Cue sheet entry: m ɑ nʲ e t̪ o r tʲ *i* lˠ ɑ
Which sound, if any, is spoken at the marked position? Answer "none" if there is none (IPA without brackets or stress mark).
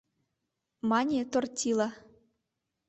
i